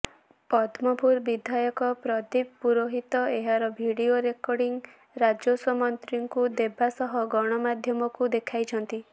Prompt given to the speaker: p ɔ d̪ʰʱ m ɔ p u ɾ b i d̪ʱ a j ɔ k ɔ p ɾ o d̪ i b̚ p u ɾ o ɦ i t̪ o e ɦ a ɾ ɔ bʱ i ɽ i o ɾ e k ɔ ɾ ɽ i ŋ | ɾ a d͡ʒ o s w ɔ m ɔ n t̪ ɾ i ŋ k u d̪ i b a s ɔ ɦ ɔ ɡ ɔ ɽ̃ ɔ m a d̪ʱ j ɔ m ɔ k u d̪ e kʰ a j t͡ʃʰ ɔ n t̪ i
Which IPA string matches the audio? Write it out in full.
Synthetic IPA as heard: p ɔ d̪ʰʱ m ɔ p u ɾ b i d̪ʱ a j ɔ k ɔ p ɾ ɔ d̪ i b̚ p u ɾ o ɦ i t̪ ɔ e ɦ a ɾ ɔ bʱ i ɽ i o ɾ e k ɔ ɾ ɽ i ŋ | ɾ a d͡ʒ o s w ɔ m ɔ n t̪ ɾ i ŋ k u d̪ e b a s ɔ ɦ ɔ ɡ ɔ ɽ̃ ɔ m a d̪ʱ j ɔ m ɔ k u d̪ e kʰ a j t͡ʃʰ ɔ n t̪ i